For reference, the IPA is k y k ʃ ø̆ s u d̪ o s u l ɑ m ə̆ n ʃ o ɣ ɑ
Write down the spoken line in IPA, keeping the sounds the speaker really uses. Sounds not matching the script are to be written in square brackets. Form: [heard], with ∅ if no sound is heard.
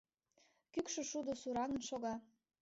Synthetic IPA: k y k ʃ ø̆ [ʃ] u d̪ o s u [ɾ] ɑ [ŋ] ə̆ n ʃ o ɣ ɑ